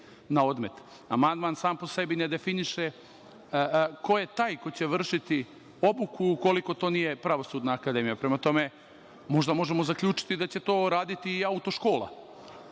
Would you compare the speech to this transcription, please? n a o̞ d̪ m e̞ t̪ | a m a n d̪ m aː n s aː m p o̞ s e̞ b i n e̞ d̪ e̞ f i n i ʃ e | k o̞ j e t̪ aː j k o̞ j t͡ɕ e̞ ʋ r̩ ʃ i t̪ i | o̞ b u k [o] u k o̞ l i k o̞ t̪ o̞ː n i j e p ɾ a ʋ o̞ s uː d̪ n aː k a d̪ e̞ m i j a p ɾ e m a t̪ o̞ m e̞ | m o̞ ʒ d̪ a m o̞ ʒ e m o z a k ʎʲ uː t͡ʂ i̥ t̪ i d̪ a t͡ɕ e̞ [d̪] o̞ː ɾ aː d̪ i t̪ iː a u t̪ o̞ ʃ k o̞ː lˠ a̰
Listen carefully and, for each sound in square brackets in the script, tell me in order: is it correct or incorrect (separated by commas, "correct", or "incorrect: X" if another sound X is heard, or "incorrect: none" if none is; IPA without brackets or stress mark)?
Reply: incorrect: u, incorrect: t̪